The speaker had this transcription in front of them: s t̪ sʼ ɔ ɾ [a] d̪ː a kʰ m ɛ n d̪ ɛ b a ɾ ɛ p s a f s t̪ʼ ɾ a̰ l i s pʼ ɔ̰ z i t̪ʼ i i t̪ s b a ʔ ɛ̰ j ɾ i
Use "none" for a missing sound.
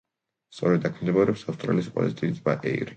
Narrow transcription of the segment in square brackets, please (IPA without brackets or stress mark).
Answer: ɛ